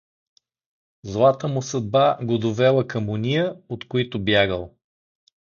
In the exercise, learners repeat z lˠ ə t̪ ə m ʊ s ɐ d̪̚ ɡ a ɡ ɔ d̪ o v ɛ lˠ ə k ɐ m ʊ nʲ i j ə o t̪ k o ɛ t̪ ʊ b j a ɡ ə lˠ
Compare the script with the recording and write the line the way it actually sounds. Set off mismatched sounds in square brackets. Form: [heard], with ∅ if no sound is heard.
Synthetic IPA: z lˠ [a] t̪ ə m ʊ s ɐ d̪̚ [b] a ɡ [o] d̪ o v ɛ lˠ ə k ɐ m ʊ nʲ i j ə o t̪ k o [i] t̪ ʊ b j a ɡ ə lˠ